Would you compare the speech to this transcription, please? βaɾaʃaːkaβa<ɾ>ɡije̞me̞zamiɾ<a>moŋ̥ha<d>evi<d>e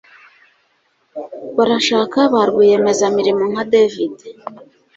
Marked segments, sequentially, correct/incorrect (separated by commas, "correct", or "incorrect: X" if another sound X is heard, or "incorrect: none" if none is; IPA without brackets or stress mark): correct, incorrect: i, correct, correct